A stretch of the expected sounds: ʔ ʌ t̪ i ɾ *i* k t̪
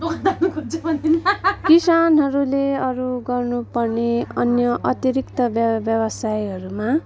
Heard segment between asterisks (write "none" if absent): i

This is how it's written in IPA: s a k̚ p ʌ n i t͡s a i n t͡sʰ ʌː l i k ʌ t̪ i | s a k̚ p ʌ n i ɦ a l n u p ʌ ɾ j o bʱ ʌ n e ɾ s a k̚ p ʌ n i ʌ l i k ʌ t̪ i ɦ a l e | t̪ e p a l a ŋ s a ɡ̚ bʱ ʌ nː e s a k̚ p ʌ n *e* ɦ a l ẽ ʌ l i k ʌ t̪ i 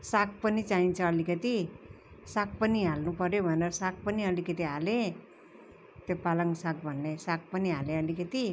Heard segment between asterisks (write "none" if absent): i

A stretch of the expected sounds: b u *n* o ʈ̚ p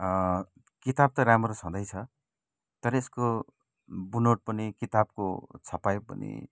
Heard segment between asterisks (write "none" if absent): n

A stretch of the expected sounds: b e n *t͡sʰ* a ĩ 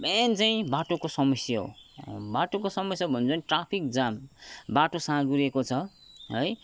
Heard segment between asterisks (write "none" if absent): t͡s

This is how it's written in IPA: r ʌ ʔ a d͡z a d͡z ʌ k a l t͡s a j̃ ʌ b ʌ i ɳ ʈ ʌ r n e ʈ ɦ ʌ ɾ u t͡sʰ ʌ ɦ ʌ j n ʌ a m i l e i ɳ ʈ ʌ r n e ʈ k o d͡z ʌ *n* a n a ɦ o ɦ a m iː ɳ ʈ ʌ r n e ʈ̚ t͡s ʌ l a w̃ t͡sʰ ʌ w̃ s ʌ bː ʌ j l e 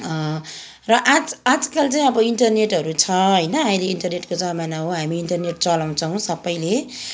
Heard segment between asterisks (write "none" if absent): m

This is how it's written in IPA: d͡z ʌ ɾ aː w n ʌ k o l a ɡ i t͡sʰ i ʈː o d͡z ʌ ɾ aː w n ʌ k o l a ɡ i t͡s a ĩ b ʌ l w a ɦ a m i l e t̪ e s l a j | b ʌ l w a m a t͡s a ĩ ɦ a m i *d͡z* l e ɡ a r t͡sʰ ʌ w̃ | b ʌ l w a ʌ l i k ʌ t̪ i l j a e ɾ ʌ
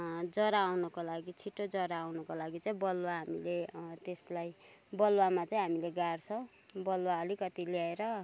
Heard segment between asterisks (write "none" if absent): none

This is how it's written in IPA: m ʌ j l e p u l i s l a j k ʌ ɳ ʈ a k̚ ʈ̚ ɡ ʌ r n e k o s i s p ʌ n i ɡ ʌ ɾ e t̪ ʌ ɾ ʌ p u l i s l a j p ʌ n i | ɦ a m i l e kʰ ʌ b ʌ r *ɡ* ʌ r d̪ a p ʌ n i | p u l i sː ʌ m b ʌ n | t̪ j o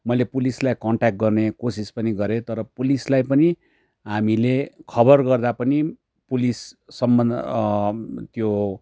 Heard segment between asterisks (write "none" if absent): ɡ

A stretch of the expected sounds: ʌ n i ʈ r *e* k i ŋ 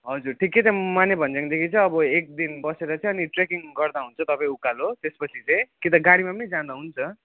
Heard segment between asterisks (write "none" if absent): e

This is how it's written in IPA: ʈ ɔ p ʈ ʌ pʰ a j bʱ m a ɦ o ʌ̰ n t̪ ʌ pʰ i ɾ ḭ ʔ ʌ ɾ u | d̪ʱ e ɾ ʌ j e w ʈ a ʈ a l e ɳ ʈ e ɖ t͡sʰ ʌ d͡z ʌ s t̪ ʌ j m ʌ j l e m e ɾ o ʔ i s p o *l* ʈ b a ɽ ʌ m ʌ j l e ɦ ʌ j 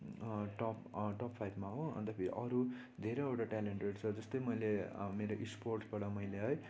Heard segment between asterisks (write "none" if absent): r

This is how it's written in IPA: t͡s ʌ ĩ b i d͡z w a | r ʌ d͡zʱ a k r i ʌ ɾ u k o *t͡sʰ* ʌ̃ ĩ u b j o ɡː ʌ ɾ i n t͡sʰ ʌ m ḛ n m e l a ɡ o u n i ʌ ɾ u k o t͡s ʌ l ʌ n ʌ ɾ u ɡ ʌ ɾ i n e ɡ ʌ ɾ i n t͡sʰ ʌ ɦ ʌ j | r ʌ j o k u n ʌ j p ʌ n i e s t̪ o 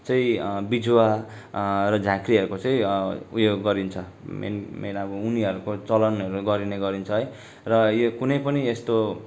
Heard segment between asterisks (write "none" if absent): t͡s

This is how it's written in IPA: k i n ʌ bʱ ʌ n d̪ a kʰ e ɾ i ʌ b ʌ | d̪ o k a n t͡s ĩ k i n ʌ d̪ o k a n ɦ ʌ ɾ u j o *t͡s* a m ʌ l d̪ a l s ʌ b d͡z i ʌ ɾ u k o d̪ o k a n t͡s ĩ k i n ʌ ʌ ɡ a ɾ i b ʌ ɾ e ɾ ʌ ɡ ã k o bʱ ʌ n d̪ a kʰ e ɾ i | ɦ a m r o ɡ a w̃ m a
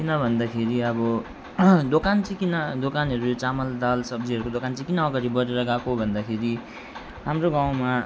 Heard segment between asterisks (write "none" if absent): t͡s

